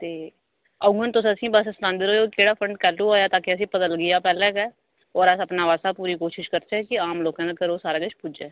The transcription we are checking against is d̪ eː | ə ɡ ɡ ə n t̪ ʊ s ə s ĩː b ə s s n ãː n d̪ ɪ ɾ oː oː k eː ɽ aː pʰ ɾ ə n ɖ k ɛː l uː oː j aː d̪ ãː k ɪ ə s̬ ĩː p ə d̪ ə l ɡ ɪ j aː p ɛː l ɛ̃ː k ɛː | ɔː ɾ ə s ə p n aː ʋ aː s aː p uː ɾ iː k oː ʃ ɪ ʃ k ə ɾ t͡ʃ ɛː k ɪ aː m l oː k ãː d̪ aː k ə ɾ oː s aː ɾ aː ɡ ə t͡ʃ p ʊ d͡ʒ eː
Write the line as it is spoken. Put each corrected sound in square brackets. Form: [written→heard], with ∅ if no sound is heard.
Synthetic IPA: [d̪→t̪] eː | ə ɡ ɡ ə n t̪ ʊ s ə s ĩː b ə s s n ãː n d̪ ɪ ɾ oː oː k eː ɽ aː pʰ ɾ ə [n→ɳ] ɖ k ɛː l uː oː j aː [d̪→t̪] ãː k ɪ ə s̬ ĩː p ə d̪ ə l ɡ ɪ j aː p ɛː l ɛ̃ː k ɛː | ɔː ɾ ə s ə p n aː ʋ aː s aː p uː ɾ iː k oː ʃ ɪ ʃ k ə ɾ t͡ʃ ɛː k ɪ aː m l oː k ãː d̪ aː k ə ɾ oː s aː ɾ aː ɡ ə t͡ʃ p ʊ d͡ʒ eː